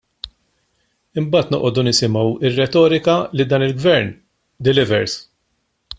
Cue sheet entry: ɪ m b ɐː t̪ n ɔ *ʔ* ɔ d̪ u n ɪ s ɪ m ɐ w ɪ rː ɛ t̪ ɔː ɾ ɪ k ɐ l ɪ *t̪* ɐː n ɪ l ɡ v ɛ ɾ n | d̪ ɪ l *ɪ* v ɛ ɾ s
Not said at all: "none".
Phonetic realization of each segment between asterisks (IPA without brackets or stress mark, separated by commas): ʔ, d̪, ɪ